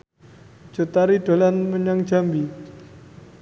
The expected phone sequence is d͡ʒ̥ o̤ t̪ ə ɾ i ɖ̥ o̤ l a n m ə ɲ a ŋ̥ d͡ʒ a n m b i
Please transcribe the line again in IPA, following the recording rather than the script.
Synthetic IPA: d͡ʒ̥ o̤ t̪ a ɾ i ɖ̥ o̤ l a n m ə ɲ a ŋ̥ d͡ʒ a m b i